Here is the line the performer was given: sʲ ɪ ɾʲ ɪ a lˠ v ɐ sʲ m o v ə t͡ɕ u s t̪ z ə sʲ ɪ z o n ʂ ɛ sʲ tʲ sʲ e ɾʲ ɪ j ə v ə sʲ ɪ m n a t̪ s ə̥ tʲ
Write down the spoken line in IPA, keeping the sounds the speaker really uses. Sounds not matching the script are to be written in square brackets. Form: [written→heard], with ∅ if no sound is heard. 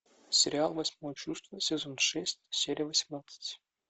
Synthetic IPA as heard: sʲ ɪ ɾʲ ɪ a lˠ v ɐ sʲ m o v ə t͡ɕ u s t̪ [z→v] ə sʲ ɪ z o n ʂ ɛ sʲ tʲ sʲ e ɾʲ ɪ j ə v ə sʲ ɪ m n a t̪ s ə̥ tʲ